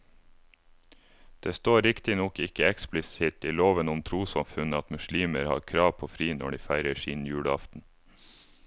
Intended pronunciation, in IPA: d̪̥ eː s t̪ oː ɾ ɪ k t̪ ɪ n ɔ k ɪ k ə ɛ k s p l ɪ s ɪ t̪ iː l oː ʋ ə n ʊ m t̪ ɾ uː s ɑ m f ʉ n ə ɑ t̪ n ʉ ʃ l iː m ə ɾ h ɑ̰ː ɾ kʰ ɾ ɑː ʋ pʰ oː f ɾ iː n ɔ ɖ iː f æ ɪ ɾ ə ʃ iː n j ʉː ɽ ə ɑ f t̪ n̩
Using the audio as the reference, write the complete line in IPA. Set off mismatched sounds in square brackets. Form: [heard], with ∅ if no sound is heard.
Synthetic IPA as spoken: d̪̥ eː s t̪ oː ɾ ɪ k t̪ ɪ n ɔ k ɪ k ə ɛ k s p l ɪ s ɪ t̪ iː l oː ʋ ə n ʊ m [t̪ʰ] ɾ uː s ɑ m f ʉ n ə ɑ t̪ [m] ʉ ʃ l iː m ə ɾ h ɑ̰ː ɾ kʰ ɾ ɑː ʋ pʰ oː f ɾ iː n ɔ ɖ iː f æ ɪ ɾ ə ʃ iː n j ʉː ɽ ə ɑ f t̪ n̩